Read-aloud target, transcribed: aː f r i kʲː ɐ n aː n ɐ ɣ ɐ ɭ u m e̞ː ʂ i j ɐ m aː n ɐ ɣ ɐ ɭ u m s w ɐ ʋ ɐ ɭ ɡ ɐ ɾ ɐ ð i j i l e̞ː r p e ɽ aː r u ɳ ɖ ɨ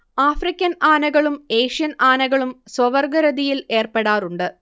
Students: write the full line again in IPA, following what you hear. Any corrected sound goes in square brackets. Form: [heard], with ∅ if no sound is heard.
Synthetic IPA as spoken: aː f r i kʲː ɐ n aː n ɐ ɣ ɐ ɭ u m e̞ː ʂ i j ɐ [n] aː n ɐ ɣ ɐ ɭ u m s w ɐ ʋ ɐ [r] ɡ ɐ ɾ ɐ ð i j i l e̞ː r p e ɽ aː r u ɳ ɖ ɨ